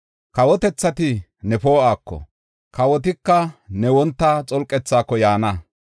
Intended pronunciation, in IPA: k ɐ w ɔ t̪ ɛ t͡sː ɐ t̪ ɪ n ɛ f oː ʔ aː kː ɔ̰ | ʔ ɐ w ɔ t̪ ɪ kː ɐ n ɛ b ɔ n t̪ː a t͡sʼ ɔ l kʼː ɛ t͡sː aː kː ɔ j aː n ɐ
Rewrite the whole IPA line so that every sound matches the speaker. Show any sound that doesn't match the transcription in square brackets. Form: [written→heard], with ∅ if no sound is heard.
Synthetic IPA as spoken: k ɐ w ɔ t̪ ɛ t͡sː ɐ t̪ ɪ n ɛ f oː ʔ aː kː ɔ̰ | [ʔ→k] ɐ w ɔ t̪ ɪ kː ɐ n ɛ [b→w] ɔ n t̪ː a t͡sʼ ɔ l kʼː ɛ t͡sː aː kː ɔ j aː n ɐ